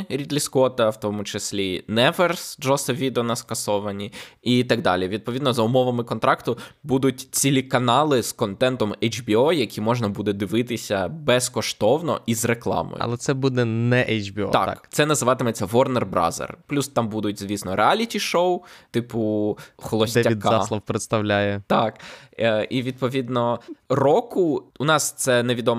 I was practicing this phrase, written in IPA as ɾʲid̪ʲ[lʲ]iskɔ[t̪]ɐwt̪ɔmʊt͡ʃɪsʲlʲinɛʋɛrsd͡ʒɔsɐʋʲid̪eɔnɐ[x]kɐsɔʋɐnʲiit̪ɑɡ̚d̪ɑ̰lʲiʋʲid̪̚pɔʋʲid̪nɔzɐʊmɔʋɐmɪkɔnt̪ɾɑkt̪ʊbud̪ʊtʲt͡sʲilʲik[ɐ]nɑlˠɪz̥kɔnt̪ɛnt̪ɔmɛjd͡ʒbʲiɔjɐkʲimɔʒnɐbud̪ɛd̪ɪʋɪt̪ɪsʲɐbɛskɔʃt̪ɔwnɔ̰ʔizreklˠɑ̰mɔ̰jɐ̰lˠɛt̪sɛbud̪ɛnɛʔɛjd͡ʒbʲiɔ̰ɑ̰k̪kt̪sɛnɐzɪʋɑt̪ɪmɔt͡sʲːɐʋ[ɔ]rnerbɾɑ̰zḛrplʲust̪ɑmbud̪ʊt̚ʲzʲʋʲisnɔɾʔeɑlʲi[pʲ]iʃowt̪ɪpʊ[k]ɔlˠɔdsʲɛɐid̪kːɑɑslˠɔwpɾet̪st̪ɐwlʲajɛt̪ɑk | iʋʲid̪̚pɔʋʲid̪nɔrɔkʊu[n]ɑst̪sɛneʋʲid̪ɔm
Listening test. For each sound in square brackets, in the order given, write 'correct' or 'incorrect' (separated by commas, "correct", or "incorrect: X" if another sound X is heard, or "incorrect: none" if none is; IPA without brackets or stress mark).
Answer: correct, correct, incorrect: s, correct, correct, incorrect: tʲ, incorrect: x, correct